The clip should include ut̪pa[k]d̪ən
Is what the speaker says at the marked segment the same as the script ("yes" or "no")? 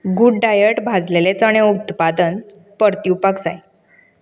no